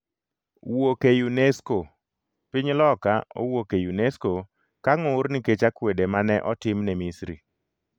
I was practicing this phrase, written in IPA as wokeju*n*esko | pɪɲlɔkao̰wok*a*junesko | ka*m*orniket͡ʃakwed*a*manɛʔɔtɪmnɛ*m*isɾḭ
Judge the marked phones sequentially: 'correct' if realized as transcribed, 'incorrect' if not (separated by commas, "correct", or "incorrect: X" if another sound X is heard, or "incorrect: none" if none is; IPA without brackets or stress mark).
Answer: correct, incorrect: e, incorrect: ŋ, incorrect: e, correct